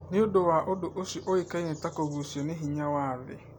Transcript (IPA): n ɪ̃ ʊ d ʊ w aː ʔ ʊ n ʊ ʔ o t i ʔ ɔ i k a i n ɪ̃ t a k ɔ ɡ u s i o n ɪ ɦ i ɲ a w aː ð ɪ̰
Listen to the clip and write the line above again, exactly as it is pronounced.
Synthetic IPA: n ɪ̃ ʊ d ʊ w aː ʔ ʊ d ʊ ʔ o s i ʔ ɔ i k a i n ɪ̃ t a k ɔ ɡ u s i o n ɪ ɦ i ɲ a w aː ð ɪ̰